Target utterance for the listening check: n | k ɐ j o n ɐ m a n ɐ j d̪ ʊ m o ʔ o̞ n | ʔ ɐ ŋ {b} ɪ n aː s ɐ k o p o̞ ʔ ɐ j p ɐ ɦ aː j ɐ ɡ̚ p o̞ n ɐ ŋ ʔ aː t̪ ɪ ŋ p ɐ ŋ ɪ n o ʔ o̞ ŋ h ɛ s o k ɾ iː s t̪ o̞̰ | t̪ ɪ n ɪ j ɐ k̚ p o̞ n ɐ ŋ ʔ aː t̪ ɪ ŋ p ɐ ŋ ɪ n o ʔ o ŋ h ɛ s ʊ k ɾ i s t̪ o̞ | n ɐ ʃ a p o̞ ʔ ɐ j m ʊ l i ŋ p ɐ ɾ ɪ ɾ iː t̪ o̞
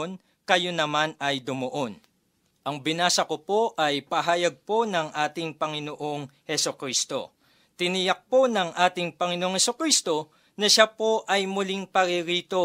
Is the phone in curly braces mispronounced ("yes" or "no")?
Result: no